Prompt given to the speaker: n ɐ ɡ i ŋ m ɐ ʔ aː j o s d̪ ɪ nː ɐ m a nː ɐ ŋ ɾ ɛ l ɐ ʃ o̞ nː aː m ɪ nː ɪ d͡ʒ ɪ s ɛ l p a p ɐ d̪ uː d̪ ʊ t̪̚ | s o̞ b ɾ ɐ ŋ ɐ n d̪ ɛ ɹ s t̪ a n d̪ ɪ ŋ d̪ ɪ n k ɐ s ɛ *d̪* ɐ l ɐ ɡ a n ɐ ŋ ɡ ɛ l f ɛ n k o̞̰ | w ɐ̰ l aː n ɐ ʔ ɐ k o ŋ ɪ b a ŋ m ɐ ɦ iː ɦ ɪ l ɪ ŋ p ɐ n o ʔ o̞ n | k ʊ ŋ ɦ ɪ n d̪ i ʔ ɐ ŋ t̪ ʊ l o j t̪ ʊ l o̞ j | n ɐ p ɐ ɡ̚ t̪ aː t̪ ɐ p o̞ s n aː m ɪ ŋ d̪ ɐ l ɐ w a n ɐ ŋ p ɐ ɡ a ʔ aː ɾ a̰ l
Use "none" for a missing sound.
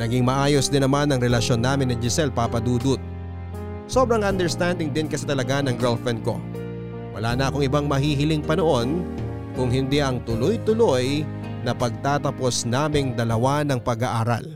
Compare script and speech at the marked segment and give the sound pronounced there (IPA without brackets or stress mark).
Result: t̪